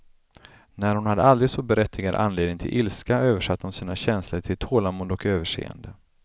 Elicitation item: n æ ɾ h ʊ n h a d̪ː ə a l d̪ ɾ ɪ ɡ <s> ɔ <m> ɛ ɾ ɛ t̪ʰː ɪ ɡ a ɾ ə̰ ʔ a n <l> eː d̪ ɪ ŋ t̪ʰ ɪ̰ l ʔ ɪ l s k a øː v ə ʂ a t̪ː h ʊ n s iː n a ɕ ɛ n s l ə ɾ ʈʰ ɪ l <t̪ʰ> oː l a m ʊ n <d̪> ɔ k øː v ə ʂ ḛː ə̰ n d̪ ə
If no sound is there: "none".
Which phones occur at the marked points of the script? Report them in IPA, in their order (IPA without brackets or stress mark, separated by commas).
s, b, l, t̪ʰ, d̪